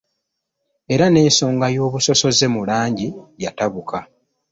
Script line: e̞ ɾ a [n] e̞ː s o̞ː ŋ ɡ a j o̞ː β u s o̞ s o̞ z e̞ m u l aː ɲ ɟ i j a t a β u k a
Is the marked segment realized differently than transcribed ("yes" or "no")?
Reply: no